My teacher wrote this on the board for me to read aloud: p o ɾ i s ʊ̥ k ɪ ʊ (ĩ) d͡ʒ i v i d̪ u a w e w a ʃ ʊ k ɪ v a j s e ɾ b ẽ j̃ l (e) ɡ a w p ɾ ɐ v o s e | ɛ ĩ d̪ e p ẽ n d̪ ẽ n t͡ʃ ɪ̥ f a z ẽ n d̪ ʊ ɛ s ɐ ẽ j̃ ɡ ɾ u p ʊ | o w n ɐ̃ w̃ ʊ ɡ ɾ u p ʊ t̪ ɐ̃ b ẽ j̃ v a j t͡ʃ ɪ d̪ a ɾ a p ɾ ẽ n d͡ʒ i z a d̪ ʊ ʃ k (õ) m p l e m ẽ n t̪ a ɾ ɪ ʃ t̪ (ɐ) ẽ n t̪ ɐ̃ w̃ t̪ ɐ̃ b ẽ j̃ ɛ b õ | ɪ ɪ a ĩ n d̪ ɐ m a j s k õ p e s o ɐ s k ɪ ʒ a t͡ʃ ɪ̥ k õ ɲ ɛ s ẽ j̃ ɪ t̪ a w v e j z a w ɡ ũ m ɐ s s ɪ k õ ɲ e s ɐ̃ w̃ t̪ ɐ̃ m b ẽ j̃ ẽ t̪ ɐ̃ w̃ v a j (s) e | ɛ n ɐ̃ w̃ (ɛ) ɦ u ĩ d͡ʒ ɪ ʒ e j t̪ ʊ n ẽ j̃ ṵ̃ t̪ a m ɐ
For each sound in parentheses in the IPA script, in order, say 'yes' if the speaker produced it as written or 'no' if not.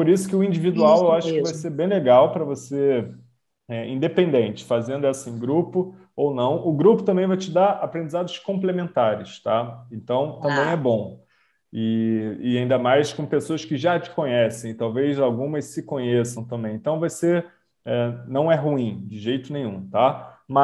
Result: yes, yes, yes, no, yes, yes

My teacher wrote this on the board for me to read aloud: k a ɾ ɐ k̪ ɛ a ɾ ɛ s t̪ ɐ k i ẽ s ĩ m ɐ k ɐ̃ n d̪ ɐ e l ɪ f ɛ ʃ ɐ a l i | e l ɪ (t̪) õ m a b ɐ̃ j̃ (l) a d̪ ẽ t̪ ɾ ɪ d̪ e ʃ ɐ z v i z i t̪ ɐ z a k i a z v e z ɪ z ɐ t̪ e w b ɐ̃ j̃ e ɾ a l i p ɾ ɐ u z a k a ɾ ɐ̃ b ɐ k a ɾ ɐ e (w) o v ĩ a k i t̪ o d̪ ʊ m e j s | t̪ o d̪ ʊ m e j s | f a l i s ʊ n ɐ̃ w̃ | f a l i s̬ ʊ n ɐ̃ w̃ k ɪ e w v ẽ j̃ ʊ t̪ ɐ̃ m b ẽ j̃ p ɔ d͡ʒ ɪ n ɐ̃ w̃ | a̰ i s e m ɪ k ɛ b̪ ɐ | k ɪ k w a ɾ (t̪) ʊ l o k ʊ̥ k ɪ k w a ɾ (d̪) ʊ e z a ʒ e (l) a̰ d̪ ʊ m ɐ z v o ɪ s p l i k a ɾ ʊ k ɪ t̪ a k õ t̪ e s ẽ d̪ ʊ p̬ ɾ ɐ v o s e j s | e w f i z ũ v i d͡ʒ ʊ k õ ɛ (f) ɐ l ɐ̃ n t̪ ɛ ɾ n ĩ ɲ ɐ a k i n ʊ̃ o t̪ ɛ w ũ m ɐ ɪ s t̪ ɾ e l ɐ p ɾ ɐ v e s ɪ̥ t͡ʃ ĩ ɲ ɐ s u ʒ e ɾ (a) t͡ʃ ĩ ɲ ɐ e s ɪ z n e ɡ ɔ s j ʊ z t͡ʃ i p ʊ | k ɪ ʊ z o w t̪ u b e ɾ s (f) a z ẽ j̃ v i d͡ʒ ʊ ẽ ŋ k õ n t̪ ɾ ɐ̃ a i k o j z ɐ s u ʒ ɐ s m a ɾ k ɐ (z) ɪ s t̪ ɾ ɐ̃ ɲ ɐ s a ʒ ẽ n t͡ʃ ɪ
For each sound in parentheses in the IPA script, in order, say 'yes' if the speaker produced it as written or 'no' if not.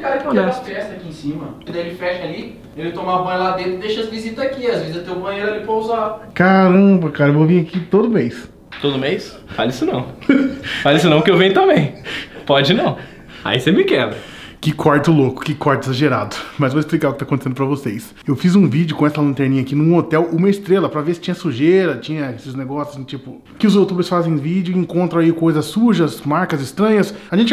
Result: yes, yes, no, yes, no, no, no, no, yes, yes

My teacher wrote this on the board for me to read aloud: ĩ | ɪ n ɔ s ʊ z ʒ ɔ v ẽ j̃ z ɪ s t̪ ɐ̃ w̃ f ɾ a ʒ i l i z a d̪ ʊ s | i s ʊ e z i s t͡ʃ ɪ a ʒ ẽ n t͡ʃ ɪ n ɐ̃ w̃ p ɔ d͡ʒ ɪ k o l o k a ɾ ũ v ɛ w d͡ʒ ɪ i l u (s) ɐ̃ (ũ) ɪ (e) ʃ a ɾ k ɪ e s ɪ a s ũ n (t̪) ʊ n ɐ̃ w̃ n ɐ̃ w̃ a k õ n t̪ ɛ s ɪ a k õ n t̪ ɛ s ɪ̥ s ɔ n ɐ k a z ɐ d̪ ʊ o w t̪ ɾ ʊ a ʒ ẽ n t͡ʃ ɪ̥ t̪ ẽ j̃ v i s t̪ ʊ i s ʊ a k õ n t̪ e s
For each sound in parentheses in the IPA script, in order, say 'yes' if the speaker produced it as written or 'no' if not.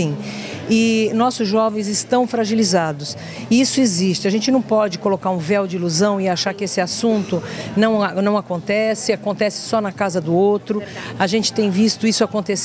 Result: no, no, no, yes

